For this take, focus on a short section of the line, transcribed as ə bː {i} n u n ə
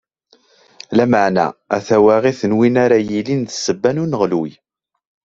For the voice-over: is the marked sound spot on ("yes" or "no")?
no